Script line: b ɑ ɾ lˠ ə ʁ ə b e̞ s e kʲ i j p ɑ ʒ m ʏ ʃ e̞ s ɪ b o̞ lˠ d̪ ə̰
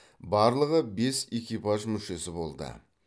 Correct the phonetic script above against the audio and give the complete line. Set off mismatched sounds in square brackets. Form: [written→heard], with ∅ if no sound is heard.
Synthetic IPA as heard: b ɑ ɾ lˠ ə ʁ ə b e̞ s e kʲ i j p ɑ ʒ m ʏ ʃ e̞ s ɪ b o̞ lˠ d̪ ə̰